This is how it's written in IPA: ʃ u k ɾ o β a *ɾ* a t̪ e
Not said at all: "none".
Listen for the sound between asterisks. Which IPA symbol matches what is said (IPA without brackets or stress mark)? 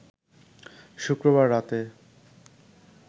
ɾː